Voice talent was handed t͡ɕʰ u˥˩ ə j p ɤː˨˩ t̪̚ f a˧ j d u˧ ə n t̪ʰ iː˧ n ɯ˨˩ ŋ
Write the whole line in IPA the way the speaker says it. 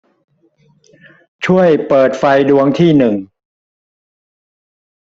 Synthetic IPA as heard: t͡ɕʰ u˥˩ ə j p ɤː˨˩ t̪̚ f a˧ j d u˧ ə ŋ t̪ʰ iː˥˩ n ɯ˨˩ ŋ